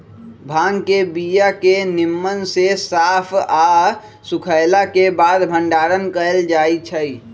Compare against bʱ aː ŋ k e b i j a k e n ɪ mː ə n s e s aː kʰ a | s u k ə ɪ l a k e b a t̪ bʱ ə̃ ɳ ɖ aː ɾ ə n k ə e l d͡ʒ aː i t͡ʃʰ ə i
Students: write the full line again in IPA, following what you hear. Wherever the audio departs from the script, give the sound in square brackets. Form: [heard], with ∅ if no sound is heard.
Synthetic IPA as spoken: bʱ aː ŋ k e b i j a k e n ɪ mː ə n s e s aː [pʰ] a | s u [kʰ] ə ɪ l a k e b a [d̪] bʱ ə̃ ɳ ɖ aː ɾ ə n k ə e l d͡ʒ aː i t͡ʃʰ ə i